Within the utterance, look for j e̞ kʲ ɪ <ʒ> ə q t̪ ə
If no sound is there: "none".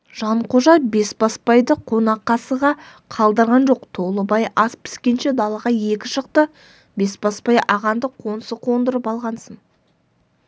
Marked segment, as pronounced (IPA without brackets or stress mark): ʃ